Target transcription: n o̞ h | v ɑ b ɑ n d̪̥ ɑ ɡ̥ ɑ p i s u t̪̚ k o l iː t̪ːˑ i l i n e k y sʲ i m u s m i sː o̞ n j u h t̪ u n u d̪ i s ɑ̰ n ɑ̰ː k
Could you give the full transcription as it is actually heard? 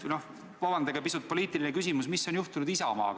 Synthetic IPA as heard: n o̞ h | v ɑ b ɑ n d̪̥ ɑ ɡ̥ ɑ p i s u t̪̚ p o l iː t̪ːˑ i l i n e k y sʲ i m u s m i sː o̞ n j u h t̪ u n u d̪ i s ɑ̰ m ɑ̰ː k